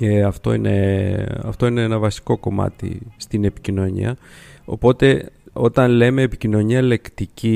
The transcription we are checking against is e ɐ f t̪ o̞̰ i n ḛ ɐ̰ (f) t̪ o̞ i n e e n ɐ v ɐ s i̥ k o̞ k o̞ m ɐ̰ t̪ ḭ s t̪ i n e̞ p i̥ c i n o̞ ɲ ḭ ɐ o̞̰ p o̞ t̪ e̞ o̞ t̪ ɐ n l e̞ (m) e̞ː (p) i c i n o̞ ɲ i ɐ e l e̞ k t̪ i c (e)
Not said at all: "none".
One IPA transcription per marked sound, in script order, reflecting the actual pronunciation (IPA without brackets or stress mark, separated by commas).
f, m, p, i